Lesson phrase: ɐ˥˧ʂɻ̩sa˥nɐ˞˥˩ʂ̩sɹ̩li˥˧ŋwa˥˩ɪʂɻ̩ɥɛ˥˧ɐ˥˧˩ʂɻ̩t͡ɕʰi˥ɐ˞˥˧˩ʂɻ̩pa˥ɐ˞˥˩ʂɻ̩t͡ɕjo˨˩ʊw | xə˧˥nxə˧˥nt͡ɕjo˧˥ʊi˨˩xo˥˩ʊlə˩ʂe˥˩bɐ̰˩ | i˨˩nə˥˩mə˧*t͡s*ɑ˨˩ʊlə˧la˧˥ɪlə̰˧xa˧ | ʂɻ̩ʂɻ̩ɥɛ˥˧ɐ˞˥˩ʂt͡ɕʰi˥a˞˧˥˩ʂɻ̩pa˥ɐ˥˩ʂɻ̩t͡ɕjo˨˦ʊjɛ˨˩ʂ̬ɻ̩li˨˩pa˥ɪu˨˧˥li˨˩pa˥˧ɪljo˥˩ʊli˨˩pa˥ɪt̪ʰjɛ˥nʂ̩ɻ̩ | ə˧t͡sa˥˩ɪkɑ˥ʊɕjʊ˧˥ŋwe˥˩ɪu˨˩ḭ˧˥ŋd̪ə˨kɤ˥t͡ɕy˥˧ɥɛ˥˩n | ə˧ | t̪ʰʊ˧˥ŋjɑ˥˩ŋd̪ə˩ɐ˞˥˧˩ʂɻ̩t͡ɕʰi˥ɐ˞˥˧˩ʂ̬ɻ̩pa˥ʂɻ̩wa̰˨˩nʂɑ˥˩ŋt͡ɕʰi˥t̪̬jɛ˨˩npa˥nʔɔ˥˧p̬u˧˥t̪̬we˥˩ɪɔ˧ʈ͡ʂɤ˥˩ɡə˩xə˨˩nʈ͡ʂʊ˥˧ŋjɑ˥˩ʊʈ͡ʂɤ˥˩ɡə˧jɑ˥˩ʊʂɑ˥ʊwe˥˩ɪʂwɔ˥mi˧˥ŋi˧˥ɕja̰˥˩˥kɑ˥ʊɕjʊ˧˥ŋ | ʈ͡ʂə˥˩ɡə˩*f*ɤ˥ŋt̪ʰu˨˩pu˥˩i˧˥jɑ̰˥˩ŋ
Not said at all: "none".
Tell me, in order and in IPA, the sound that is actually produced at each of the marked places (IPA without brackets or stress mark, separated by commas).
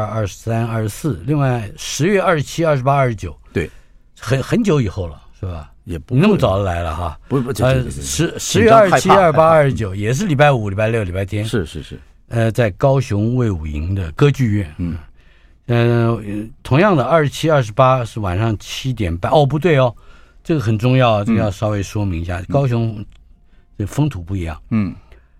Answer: t͡s, f